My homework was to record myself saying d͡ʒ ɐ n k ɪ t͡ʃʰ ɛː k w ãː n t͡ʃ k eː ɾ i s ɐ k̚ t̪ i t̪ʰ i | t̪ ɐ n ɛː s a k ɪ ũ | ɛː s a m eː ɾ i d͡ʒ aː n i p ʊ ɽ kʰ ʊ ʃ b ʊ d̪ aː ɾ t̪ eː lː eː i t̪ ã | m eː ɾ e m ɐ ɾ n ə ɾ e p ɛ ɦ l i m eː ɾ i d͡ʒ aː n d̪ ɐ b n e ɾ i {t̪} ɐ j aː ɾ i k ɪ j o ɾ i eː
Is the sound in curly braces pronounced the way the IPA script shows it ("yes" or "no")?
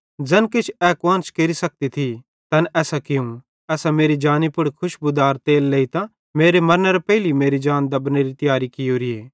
yes